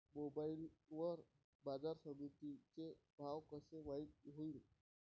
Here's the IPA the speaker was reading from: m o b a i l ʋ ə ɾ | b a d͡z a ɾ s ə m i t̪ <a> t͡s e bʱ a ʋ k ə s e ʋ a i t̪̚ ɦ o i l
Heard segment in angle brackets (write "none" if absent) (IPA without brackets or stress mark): i